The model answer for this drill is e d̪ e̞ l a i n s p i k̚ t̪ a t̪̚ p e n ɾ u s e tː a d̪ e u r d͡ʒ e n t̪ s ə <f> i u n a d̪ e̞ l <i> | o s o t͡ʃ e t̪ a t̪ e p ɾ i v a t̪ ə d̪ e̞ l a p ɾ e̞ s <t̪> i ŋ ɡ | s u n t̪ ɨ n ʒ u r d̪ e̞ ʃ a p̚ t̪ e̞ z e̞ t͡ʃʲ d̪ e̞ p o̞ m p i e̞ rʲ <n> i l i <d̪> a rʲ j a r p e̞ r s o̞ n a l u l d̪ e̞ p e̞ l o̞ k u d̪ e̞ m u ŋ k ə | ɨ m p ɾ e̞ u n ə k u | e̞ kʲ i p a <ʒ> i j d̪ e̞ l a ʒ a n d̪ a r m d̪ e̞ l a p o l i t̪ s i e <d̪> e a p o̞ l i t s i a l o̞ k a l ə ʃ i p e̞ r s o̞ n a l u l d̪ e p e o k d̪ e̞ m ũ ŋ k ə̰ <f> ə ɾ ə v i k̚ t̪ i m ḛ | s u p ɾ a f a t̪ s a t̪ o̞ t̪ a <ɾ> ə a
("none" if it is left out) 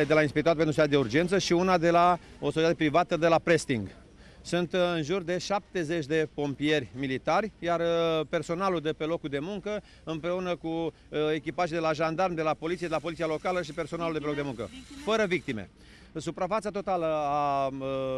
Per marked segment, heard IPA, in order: ʃ, a, t̪, m, t̪, ʒ, d̪, f, l

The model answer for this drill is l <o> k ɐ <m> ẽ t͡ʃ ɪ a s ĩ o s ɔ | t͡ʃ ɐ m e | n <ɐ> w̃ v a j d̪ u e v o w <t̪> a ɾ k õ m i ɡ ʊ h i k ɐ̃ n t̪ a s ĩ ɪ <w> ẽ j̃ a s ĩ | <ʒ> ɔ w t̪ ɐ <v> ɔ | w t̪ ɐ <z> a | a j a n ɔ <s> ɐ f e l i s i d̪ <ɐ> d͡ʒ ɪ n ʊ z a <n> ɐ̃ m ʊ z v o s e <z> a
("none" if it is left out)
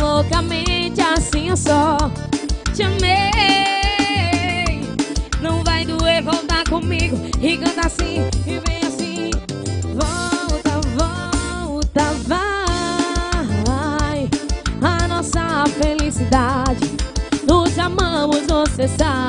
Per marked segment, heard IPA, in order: o, m, ɐ̃, t̪, v, v, v, v, s, a, m, s

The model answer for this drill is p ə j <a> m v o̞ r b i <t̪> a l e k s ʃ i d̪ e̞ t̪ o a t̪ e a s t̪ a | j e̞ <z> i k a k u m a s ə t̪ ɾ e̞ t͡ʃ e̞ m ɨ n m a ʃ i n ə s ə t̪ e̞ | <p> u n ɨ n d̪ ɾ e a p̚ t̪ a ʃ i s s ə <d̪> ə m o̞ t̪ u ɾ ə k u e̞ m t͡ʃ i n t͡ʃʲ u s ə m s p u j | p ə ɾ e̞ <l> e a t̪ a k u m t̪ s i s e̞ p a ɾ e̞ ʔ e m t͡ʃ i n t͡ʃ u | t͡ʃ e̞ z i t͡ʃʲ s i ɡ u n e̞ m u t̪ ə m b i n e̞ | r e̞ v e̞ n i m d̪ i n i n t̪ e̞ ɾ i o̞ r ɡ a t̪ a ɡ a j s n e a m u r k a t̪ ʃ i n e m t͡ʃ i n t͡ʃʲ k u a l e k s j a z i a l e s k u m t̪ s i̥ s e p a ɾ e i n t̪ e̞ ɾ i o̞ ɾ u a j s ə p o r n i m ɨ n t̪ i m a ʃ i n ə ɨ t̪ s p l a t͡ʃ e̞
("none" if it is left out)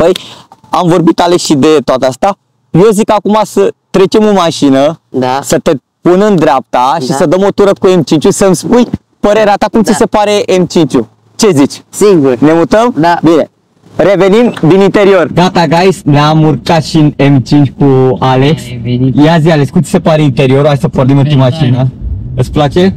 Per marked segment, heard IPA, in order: a, t̪, z, p, d̪, ɾ

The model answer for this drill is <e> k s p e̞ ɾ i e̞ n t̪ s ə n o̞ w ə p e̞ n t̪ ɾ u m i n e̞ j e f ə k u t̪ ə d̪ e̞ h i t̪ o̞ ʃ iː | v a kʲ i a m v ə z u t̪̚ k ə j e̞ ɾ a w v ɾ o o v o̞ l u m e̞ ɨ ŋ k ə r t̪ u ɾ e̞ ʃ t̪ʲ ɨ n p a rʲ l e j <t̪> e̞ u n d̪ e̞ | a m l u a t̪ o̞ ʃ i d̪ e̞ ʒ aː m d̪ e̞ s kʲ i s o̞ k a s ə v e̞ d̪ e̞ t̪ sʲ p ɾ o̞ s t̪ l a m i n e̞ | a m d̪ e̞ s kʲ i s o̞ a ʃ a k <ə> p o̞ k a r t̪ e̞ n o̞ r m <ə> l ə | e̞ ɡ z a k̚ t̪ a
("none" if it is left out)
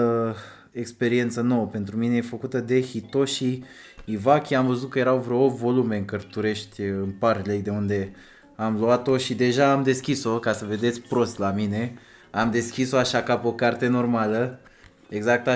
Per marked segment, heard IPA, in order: e, d̪, a, a

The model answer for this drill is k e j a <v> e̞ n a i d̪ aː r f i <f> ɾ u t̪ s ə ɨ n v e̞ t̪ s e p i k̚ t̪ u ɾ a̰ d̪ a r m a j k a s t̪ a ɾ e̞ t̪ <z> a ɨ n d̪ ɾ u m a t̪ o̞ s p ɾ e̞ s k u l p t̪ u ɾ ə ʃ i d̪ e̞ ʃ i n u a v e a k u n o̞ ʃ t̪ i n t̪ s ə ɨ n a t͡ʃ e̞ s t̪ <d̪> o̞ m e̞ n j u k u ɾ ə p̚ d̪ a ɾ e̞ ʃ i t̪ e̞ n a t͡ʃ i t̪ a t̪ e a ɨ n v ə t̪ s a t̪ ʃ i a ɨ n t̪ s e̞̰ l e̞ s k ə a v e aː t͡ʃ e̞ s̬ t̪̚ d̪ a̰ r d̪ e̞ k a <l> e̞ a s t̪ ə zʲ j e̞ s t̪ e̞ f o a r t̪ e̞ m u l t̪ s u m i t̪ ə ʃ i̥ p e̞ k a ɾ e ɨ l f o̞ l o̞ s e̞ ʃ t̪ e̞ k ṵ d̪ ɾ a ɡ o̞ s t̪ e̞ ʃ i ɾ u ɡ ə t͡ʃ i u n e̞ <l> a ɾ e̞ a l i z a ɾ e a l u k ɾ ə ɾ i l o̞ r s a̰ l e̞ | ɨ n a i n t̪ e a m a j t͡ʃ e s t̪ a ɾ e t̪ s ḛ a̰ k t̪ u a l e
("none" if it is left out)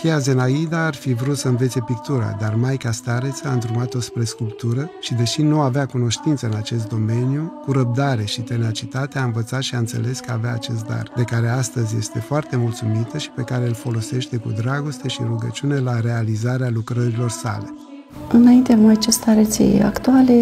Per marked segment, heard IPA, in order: z, v, s, d̪, ɾ, l

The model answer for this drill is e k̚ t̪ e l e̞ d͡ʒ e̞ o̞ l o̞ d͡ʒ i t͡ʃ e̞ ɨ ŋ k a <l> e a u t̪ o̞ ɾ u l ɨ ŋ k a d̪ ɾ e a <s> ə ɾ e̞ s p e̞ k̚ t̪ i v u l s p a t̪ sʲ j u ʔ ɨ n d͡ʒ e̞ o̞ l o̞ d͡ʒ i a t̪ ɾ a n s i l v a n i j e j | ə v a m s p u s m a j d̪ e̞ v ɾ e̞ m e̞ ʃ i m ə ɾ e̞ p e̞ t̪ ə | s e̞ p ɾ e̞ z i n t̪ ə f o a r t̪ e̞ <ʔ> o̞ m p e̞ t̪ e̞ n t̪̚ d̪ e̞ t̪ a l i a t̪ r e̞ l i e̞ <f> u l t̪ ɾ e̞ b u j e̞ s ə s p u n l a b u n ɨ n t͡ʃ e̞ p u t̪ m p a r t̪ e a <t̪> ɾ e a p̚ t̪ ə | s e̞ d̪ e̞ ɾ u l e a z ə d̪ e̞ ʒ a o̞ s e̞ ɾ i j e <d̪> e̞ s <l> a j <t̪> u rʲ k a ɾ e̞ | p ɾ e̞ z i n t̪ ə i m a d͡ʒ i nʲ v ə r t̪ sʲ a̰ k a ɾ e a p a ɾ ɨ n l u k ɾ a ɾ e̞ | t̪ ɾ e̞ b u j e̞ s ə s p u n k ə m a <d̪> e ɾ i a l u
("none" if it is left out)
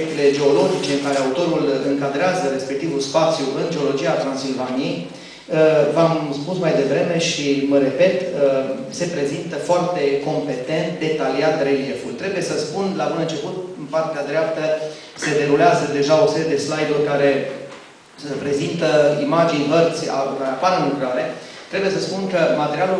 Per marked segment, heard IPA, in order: ɾ, z, k, f, d̪, d̪, l, d̪, t̪

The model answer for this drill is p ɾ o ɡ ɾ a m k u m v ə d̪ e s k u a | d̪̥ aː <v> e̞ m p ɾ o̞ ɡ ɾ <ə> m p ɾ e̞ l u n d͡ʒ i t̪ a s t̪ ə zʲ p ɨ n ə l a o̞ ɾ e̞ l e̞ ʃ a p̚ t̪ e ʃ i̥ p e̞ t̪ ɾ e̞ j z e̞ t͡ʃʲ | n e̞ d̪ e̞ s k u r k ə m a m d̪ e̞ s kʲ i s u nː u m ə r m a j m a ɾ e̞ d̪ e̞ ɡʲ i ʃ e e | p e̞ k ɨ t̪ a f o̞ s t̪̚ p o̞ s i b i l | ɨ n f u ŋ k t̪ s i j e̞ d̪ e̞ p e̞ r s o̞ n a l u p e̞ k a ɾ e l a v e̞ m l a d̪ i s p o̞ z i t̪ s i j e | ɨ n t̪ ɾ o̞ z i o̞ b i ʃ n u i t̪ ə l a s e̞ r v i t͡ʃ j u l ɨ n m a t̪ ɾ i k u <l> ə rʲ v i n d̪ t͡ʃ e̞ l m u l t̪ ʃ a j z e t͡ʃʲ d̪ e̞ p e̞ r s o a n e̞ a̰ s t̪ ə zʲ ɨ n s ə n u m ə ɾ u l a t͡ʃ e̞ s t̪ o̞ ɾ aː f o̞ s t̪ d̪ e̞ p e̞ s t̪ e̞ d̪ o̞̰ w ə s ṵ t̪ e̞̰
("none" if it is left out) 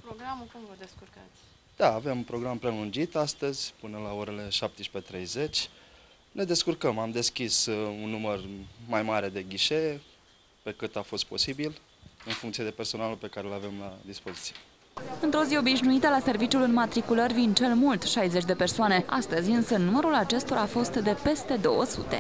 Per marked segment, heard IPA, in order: v, a, l

